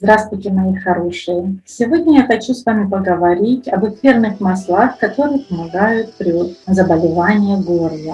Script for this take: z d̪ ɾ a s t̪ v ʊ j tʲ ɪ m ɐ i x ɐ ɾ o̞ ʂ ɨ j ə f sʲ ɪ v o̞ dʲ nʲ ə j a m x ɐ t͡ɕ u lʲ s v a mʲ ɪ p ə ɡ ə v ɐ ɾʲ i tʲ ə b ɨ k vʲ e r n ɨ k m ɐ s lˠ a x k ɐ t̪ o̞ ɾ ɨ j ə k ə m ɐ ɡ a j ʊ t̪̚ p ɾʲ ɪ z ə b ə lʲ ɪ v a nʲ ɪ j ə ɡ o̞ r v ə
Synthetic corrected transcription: z d̪ ɾ a s t̪ v ʊ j tʲ ɪ m ɐ i x ɐ ɾ o̞ ʂ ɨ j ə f sʲ ɪ v o̞ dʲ nʲ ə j a x ɐ t͡ɕ u s v a mʲ ɪ p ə ɡ ə v ɐ ɾʲ i tʲ ɐ b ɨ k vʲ e r n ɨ x m ɐ s lˠ a x k ɐ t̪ o̞ ɾ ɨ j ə p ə m ɐ ɡ a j ʊ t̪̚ p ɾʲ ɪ z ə b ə lʲ ɪ v a nʲ ɪ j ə ɡ o̞ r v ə